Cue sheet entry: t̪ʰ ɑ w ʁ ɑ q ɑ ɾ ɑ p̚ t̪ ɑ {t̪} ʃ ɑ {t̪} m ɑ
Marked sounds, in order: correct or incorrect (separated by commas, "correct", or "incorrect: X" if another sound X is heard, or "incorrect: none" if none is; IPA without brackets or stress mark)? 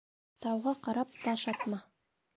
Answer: incorrect: none, correct